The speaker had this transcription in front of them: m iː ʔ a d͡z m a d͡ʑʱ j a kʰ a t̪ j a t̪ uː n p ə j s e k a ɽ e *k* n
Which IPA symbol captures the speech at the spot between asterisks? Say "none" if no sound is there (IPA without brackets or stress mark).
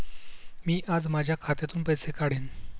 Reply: none